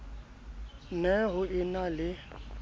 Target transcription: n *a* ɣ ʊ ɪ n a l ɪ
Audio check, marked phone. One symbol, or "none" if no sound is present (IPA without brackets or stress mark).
ɛ